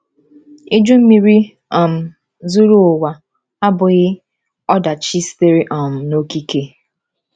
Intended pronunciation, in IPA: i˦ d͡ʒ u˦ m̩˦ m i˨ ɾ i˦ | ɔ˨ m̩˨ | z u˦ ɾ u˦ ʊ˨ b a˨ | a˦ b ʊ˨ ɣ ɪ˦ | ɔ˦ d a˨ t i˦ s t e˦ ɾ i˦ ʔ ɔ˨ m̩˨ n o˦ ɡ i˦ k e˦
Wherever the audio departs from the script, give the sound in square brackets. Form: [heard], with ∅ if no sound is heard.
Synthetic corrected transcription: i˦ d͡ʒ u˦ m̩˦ m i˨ ɾ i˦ | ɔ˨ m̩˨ | z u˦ ɾ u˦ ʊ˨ [w] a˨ | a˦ b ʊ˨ ɣ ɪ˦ | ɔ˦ d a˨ [t͡ʃ] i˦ s t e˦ ɾ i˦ ʔ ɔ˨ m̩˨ n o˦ [k] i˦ k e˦